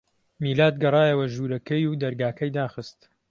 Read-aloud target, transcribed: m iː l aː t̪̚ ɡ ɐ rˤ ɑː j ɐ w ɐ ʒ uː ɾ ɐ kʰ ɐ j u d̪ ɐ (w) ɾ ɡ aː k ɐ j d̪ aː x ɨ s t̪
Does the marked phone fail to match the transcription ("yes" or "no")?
yes